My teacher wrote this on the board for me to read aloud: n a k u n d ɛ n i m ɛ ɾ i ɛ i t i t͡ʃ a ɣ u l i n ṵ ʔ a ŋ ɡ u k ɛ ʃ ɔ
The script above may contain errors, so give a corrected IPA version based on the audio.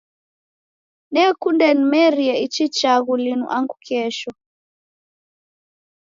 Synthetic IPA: n ɛ k u n d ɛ n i m ɛ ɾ i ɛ i t͡ʃ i t͡ʃ a ɣ u l i n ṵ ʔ a ŋ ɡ u k ɛ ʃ ɔ